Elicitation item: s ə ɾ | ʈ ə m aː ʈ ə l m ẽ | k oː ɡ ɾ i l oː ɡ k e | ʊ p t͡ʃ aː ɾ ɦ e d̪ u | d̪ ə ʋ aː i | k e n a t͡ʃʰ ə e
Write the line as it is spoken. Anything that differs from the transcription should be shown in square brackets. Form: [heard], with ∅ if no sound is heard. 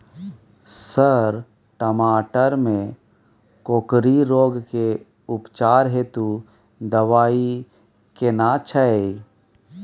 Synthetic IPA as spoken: s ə ɾ | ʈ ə m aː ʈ ə [ɾ] m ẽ | k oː [k] ɾ i [ɾ] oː ɡ k e | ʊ p t͡ʃ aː ɾ ɦ e [t̪] u | d̪ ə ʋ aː i | k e n a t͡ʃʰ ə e